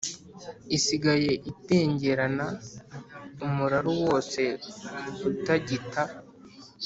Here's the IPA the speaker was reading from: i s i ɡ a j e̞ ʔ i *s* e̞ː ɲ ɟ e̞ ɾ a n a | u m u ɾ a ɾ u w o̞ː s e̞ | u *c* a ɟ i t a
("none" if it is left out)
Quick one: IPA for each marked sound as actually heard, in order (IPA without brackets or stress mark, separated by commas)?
t, t